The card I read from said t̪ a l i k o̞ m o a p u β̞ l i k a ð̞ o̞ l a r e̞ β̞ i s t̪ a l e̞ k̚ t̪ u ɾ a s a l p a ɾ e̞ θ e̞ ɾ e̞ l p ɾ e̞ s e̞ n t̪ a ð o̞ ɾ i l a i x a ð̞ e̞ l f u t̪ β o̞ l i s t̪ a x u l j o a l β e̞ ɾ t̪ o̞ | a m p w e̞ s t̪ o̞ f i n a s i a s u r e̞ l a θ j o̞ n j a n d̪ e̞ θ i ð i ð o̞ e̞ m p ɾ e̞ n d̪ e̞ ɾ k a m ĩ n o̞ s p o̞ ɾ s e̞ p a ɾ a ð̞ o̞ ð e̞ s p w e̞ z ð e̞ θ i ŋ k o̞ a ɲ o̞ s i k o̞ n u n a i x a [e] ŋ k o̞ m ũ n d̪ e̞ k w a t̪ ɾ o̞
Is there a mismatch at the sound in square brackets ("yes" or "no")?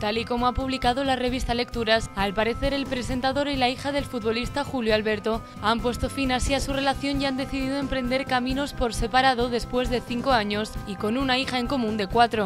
no